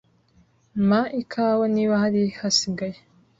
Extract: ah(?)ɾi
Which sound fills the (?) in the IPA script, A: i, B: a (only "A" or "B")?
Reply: B